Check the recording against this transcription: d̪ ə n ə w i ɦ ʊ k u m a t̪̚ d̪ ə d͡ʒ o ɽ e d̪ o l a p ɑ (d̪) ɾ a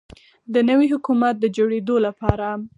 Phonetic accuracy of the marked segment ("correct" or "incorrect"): incorrect